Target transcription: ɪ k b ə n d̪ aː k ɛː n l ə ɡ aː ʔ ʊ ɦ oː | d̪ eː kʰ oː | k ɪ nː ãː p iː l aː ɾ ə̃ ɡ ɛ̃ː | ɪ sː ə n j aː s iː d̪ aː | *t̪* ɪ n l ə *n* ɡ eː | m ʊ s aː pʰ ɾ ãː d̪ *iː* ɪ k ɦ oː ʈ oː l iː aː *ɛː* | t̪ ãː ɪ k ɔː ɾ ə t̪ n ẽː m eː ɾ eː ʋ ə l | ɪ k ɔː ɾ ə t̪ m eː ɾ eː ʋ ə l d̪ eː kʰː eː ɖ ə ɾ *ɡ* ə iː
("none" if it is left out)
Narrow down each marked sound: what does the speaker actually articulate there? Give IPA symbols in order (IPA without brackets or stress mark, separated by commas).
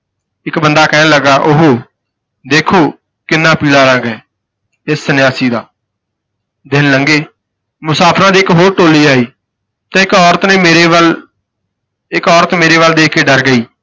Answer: d̪, ŋ, iː, iː, ɡ